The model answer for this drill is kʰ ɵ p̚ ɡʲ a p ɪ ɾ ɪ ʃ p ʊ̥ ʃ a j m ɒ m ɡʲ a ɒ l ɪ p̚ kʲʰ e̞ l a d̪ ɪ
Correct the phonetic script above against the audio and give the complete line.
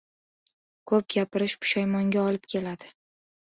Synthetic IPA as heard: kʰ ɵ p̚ ɡʲ a p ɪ ɾ ɪ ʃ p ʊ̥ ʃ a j m ɒ ŋ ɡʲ a ɒ l ɪ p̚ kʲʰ e̞ l a d̪ ɪ

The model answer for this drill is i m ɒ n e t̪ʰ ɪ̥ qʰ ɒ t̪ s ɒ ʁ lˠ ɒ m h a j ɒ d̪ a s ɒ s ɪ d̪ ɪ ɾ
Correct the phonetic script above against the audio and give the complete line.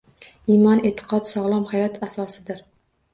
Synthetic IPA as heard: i m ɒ n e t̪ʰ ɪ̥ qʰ ɒ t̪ s ɒ ʁ lˠ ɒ m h a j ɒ t̪ a s ɒ s ɪ d̪ ɪ ɾ

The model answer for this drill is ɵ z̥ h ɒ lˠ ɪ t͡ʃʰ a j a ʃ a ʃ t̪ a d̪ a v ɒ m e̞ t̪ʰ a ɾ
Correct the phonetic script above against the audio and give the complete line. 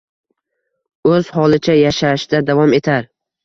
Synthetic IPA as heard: ɵ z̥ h ɒ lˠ ɪ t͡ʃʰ a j a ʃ a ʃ d̪ a d̪ a v ɒ m e̞ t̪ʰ a ɾ

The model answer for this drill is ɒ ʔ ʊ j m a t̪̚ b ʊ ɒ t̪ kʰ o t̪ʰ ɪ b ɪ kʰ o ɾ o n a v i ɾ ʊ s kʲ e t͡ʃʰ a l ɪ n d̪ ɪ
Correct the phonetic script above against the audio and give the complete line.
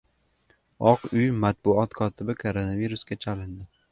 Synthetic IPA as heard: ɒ q ʊ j m a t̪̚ b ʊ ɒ t̪ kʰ ɒ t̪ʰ ɪ b ɪ kʰ o ɾ o n a v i ɾ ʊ s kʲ a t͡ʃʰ a l ɪ n d̪ ɪ

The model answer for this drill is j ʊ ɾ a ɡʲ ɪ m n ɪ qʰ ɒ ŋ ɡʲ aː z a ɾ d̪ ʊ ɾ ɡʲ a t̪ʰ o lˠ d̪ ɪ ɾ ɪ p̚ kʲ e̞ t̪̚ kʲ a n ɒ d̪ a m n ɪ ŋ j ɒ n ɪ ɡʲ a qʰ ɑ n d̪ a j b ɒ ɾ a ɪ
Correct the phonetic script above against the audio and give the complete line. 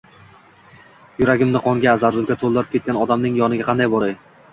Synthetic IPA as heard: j ʊ ɾ a ɡʲ ɪ m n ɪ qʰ ɒ ŋ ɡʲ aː z a ɾ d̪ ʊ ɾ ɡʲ a t̪ʰ o lˠ d̪ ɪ ɾ ɪ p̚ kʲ e̞ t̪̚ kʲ a n ɒ d̪ a m n ɪ ŋ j ɒ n ɪ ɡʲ a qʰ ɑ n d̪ a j b ɒ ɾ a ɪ

